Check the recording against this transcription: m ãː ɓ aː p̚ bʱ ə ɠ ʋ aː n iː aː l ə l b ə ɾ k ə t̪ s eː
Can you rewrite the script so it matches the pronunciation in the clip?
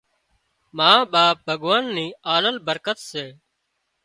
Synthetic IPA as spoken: m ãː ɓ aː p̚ bʱ ə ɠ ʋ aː nː iː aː l ə l b ə ɾ k ə t̪ s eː